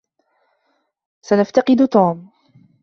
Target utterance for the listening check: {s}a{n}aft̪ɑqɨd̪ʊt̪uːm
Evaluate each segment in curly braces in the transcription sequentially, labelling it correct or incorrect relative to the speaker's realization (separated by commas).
correct, correct